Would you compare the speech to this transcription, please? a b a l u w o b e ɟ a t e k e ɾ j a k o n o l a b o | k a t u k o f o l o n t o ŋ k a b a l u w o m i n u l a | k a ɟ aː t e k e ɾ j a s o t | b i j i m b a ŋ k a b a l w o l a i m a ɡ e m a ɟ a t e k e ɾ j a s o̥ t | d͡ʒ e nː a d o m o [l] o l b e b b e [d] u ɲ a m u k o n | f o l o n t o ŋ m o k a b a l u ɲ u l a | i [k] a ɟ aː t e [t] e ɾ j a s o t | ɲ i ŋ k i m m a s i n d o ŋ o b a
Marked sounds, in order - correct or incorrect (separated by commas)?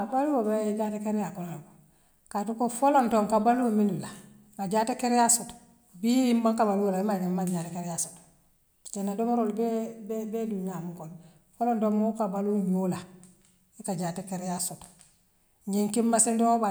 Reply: incorrect, correct, correct, incorrect